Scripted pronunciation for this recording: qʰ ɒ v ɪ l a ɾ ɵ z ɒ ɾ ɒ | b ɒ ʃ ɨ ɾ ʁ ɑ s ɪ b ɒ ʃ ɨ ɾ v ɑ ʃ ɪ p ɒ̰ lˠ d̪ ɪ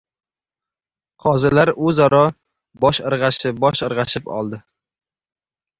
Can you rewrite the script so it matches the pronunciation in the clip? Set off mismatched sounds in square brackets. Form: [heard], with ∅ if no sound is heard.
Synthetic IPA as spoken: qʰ ɒ [z] ɪ l a ɾ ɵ z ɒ ɾ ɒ | b ɒ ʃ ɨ ɾ ʁ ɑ [ʃ] ɪ b ɒ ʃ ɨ ɾ [ʁ] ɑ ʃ ɪ p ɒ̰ lˠ d̪ ɪ